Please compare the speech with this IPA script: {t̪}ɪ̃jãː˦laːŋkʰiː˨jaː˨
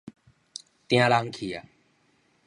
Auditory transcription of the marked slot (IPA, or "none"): t̪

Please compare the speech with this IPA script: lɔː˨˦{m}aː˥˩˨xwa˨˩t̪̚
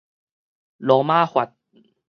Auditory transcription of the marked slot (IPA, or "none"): m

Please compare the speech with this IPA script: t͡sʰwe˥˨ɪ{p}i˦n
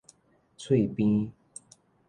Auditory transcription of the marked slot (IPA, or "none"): p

